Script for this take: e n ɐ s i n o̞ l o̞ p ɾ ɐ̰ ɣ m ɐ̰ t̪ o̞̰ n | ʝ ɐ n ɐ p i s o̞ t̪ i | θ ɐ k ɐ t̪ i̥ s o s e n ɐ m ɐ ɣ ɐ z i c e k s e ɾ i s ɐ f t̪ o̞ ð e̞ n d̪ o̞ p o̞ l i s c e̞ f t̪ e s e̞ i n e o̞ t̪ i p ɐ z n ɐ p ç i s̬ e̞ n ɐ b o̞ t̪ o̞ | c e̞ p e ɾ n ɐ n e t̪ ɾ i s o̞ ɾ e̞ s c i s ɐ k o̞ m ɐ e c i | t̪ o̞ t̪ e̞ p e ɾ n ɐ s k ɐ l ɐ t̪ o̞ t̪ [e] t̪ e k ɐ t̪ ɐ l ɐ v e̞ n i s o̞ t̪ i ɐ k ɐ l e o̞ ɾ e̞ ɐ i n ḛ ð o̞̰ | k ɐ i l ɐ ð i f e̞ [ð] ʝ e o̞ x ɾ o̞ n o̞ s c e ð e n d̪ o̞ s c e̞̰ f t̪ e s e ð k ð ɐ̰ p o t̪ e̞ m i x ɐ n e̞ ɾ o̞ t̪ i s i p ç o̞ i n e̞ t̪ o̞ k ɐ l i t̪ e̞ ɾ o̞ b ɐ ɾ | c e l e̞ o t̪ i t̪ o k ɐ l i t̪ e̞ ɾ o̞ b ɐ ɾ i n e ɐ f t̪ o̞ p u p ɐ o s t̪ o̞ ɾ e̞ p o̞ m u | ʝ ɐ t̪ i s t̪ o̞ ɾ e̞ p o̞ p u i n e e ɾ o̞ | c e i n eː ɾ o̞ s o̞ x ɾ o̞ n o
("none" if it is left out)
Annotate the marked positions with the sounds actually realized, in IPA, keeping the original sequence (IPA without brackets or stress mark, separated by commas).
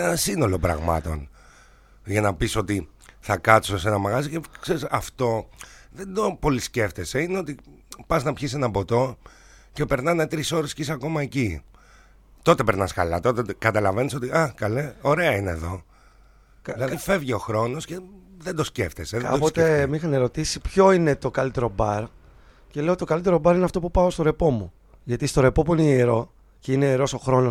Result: e, v